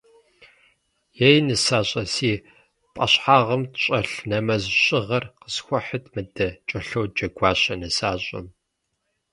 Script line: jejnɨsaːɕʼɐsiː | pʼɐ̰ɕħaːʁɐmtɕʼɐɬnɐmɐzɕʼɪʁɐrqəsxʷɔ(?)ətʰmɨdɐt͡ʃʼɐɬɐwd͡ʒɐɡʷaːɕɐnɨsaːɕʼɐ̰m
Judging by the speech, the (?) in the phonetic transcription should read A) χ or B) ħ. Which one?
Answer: B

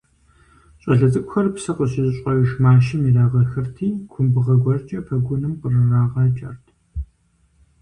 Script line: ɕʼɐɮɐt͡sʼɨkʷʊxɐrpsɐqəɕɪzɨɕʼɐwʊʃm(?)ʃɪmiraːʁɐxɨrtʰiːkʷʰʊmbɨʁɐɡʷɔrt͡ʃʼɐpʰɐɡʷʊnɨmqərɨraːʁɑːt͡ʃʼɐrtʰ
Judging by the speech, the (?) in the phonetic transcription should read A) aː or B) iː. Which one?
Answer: A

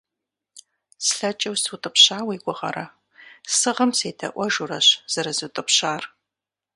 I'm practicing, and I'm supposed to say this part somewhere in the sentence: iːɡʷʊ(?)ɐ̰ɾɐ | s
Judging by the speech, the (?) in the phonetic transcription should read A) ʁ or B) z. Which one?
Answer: A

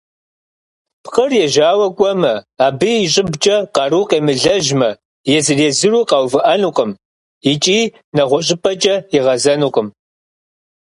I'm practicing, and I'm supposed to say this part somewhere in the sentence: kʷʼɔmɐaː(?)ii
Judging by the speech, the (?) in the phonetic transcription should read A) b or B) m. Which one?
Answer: A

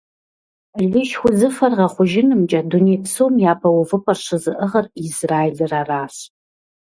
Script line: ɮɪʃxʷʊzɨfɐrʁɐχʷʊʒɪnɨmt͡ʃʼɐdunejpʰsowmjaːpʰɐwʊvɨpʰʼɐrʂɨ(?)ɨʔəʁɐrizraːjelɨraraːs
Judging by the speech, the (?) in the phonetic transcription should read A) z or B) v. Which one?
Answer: A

